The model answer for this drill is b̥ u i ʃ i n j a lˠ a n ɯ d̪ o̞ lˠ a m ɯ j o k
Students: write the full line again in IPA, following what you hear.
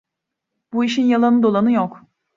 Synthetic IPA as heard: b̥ u i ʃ i n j a lˠ a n ɯ d̪ o̞ lˠ a n ɯ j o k